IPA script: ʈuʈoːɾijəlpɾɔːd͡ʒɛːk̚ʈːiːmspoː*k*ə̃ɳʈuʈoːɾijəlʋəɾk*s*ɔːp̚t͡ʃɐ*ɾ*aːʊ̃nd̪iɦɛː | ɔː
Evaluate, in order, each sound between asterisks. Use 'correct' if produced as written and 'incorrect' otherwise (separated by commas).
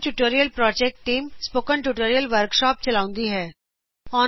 correct, incorrect, incorrect